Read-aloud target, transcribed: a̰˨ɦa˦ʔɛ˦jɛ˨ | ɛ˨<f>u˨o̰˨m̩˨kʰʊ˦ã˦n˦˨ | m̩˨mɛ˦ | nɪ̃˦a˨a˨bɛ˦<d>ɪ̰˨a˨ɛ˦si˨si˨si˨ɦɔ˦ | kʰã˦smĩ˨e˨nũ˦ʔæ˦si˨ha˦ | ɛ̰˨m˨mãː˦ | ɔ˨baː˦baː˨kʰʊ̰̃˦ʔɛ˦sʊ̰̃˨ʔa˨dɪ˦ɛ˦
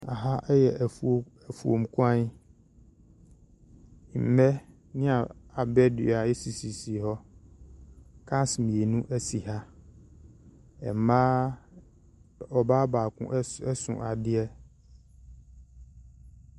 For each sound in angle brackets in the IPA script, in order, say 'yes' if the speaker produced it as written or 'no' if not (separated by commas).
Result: yes, yes